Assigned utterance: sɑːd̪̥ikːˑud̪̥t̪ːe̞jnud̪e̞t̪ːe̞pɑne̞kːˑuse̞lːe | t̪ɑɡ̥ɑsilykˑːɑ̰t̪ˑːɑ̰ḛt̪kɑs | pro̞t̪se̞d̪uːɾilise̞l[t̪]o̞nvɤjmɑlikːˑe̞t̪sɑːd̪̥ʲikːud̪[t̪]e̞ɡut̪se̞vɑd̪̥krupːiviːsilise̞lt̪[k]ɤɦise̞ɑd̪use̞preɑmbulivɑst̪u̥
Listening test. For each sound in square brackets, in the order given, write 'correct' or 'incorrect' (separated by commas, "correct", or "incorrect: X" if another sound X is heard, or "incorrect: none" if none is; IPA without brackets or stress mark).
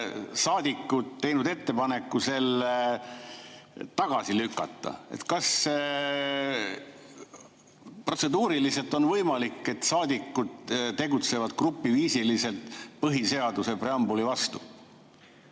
correct, correct, incorrect: p